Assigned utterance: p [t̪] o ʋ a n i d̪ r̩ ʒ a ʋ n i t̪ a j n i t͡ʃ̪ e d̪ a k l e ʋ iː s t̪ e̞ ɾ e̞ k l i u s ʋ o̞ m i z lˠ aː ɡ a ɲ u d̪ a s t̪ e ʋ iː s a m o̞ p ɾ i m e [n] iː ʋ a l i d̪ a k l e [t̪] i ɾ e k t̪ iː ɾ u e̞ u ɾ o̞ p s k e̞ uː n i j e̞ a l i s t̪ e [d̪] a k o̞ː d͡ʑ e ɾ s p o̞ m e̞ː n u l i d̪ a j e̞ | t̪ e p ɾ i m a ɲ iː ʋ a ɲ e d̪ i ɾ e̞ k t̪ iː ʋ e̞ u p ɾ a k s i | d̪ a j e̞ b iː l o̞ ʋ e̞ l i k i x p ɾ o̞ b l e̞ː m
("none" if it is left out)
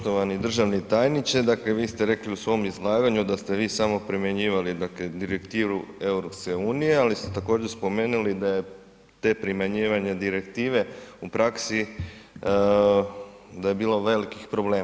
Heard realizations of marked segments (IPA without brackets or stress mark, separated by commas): t̪, ɲ, d̪, t̪